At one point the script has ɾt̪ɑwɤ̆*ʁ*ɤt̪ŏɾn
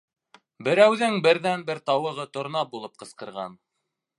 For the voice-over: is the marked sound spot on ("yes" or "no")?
yes